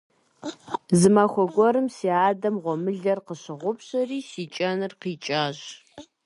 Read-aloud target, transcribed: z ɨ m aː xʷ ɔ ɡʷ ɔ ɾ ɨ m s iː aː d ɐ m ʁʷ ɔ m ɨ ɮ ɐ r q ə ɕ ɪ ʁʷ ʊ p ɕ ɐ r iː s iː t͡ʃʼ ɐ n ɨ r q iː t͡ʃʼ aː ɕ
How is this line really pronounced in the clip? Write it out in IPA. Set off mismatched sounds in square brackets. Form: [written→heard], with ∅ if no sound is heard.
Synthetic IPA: z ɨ m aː xʷ ɔ ɡʷ ɔ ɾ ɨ m s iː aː d ɐ m ʁʷ ɔ m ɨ ɮ ɐ r q ə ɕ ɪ ʁʷ ʊ p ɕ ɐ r iː s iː t͡ʃʼ ɐ n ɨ r q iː t͡ʃʼ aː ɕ